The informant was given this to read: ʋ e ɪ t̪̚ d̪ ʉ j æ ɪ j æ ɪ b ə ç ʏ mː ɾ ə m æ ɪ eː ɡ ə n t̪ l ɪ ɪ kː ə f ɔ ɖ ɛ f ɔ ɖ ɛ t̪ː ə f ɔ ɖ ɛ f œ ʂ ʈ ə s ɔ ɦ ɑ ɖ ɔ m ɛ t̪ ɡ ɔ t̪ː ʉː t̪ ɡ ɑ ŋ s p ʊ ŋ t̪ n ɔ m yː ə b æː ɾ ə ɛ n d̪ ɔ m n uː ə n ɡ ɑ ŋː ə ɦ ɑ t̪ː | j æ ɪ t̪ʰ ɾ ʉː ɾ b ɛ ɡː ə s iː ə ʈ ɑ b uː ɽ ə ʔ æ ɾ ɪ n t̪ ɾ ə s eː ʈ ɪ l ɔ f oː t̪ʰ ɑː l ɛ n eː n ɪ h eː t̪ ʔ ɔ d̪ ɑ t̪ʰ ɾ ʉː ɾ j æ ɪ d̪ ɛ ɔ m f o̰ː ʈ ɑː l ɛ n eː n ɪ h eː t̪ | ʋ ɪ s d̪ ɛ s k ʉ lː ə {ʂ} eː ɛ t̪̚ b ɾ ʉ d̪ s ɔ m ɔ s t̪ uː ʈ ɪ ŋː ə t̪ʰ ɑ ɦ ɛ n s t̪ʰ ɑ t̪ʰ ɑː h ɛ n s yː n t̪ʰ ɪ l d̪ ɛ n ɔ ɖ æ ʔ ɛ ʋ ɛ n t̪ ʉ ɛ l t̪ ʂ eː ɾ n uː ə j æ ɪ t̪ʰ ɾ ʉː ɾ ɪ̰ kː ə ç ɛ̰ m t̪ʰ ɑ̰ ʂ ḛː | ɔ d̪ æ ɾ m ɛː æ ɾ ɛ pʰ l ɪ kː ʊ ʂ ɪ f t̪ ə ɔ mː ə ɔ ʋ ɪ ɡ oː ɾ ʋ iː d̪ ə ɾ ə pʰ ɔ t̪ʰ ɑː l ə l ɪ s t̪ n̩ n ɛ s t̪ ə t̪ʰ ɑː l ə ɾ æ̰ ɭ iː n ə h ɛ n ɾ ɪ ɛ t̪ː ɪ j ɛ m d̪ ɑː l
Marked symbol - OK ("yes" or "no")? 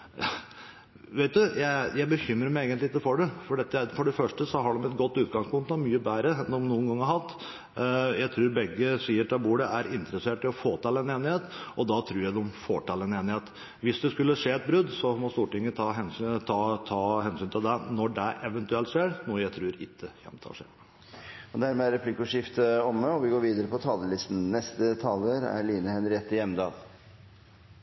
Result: yes